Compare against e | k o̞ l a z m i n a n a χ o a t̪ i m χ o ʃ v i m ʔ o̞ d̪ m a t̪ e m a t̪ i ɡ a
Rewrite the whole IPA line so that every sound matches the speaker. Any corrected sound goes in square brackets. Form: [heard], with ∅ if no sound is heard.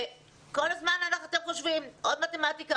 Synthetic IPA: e | k o̞ l a z m [a] n a n a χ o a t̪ [e] m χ o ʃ v i m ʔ o̞ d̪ m a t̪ e m a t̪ i [k] a